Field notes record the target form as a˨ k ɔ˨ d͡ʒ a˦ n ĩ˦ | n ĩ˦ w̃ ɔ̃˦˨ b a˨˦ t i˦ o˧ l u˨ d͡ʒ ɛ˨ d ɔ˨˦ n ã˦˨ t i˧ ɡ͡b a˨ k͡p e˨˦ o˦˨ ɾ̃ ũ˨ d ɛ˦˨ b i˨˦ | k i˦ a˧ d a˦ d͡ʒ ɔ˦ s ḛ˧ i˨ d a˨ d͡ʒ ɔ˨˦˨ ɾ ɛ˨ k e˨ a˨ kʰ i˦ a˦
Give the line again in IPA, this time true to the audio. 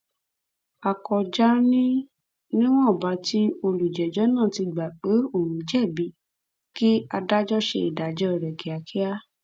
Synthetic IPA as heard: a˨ k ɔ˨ d͡ʒ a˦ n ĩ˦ | n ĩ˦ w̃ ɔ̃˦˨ b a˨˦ t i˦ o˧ l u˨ d͡ʒ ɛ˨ d͡ʒ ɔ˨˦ n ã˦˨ t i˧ ɡ͡b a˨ k͡p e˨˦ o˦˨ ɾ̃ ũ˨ d͡ʒ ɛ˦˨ b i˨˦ | k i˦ a˧ d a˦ d͡ʒ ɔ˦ ʃ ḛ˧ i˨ d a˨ d͡ʒ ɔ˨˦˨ ɾ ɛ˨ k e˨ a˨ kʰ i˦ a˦

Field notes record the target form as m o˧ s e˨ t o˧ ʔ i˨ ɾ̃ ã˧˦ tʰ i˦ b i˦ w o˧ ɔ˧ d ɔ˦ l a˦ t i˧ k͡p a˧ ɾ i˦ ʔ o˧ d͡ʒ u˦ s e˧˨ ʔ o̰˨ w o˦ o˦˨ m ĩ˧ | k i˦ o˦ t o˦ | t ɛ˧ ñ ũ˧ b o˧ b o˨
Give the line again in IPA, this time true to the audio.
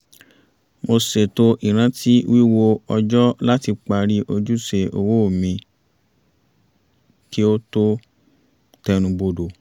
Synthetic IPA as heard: m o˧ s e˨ t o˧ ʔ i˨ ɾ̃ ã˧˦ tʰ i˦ w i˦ w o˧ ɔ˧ d͡ʒ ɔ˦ l a˦ t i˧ k͡p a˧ ɾ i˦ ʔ o˧ d͡ʒ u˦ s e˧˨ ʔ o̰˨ w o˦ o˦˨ m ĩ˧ | k i˦ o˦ t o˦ | t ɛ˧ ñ ũ˧ b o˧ d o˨

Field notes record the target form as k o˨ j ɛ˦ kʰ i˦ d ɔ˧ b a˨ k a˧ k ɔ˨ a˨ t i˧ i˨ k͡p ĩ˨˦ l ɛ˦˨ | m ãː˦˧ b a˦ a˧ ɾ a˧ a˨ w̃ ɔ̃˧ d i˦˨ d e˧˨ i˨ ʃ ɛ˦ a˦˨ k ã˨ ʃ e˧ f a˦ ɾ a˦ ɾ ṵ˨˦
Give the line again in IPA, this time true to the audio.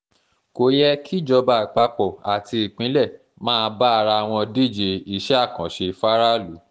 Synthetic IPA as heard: k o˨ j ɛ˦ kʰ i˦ d͡ʒ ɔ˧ b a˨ k͡p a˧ k͡p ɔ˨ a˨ t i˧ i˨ k͡p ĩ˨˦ l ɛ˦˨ | m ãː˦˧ b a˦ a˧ ɾ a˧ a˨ w̃ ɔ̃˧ d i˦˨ d͡ʒ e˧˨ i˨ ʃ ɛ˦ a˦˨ k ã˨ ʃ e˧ f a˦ ɾ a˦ l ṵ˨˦

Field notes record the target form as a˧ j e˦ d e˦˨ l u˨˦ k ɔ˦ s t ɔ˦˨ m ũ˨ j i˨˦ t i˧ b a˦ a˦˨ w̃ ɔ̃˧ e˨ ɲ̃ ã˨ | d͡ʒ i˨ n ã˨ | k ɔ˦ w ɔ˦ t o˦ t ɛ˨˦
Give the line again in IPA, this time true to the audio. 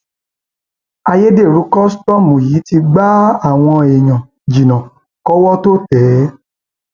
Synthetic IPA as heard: a˧ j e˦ d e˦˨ ɾ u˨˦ k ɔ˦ s t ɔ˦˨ m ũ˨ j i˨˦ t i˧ ɡ͡b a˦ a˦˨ w̃ ɔ̃˧ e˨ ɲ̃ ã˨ | d͡ʒ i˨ n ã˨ | k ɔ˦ w ɔ˦ t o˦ t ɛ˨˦

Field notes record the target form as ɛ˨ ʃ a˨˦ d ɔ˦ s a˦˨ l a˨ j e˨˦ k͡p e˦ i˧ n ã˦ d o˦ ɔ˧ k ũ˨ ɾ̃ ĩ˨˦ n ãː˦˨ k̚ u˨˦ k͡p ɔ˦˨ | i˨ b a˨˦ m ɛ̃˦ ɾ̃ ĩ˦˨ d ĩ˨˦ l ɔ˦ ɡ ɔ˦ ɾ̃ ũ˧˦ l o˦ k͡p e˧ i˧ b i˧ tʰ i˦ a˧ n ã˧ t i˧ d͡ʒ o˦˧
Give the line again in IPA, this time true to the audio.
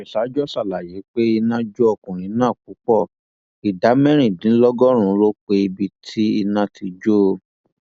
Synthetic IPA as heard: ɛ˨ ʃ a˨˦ d͡ʒ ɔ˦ s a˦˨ l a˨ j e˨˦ k͡p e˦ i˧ n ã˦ d͡ʒ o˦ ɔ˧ k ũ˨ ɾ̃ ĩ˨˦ n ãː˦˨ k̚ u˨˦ k͡p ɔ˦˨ | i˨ d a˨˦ m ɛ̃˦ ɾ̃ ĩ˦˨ d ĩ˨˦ l ɔ˦ ɡ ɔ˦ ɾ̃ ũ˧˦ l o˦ k͡p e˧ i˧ b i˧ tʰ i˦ i˧ n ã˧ t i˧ d͡ʒ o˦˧

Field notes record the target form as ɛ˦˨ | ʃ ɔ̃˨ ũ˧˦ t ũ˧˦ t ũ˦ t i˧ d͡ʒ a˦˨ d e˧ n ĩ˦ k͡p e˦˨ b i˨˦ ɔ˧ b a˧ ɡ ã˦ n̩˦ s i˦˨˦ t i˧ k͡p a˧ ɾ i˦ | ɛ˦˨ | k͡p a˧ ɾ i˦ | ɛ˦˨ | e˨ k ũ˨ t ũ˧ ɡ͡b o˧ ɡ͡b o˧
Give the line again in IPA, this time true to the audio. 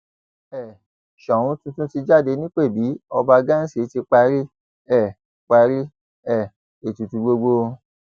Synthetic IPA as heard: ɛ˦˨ | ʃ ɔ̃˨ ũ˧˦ t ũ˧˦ t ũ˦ t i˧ d͡ʒ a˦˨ d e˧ n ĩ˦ k͡p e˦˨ b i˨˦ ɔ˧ b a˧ ɡ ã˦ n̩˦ s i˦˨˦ t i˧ k͡p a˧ ɾ i˦ | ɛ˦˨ | k͡p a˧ ɾ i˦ | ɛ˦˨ | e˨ t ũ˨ t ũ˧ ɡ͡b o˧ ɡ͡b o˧

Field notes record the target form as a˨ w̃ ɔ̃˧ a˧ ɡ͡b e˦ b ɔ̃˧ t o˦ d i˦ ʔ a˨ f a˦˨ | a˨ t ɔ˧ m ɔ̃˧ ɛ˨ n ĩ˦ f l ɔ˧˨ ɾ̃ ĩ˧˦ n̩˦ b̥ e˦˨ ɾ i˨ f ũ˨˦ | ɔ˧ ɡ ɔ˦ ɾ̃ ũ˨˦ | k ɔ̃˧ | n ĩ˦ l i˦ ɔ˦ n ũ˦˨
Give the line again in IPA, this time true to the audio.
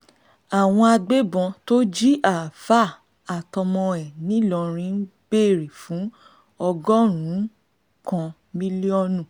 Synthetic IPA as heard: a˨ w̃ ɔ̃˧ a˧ ɡ͡b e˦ b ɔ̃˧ t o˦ d͡ʒ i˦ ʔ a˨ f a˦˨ | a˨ t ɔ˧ m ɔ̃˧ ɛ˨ n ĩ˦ l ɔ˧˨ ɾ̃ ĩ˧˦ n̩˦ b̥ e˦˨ ɾ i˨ f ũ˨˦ | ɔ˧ ɡ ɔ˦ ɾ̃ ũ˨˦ | k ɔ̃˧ | m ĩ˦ l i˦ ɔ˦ n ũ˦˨

